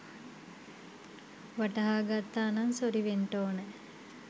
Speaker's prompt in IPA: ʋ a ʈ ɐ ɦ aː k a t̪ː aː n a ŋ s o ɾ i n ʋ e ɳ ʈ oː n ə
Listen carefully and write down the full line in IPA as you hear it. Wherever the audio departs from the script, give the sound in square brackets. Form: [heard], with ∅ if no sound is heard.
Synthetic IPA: ʋ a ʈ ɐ ɦ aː [ɡ] a t̪ː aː n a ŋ s o ɾ i [∅] ʋ e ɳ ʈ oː n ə